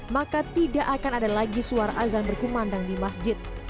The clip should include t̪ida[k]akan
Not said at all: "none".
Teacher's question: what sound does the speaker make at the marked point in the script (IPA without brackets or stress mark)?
ʔ